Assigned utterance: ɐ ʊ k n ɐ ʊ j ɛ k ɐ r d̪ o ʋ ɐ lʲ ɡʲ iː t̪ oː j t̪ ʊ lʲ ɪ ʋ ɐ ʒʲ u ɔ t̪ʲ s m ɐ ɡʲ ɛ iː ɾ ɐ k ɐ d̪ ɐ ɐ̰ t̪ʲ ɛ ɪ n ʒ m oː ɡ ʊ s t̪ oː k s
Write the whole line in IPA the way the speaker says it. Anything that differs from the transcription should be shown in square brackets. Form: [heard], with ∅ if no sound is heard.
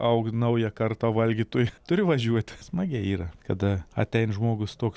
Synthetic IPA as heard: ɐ ʊ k n ɐ ʊ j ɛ k ɐ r [t̪] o ʋ ɐ lʲ ɡʲ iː t̪ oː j t̪ ʊ [ɾʲ] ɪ ʋ ɐ ʒʲ u ɔ t̪ʲ s m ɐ ɡʲ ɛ iː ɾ ɐ k ɐ d̪ ɐ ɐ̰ t̪ʲ ɛ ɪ n ʒ m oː ɡ ʊ s t̪ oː k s